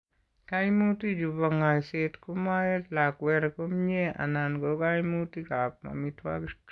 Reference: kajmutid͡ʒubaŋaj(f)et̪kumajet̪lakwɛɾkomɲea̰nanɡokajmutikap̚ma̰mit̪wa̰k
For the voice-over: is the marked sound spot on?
no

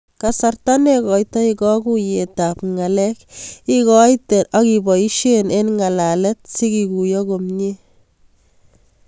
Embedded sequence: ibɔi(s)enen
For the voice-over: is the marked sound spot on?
no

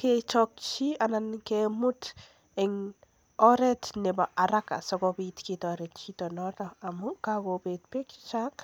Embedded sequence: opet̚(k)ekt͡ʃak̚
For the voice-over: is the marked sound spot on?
no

